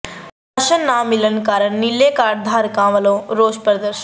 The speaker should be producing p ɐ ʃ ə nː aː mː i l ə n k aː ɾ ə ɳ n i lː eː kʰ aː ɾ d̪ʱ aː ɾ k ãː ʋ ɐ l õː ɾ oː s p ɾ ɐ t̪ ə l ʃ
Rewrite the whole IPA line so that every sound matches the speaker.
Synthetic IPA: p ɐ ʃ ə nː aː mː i l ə n k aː ɾ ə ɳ n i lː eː k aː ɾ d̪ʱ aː ɾ k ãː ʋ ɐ l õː ɾ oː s p ɾ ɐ d̪ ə ɾ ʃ